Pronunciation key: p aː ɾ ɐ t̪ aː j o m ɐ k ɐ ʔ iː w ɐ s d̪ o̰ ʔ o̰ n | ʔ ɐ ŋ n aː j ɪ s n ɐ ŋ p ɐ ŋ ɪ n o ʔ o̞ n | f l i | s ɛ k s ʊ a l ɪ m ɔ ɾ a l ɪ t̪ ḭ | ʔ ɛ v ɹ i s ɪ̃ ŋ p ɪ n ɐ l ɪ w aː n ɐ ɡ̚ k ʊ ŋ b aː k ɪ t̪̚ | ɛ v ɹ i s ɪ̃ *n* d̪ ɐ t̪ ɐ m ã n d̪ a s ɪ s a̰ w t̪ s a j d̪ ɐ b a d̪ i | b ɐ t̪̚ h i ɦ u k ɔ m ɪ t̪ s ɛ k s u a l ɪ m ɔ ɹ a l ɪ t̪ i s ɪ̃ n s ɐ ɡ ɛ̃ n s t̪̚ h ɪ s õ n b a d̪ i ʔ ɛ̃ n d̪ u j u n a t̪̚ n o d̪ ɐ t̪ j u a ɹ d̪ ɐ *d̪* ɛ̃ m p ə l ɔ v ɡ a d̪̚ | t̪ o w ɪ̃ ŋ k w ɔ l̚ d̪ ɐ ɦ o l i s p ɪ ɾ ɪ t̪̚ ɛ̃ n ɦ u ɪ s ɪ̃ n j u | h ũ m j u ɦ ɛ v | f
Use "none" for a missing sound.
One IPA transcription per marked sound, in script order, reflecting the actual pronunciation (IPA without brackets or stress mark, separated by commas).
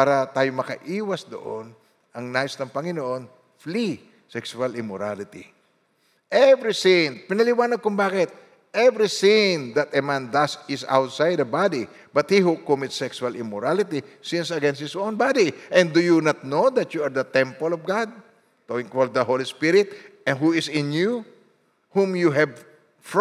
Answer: ŋ, t̪